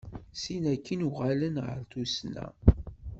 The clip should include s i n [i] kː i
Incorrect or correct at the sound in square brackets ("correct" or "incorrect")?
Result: incorrect